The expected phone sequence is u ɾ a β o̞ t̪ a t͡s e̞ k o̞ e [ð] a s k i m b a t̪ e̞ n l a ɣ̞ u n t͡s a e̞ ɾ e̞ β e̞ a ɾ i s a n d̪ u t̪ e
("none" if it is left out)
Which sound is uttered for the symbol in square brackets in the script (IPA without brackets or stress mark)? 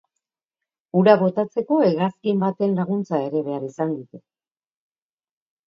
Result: ɣ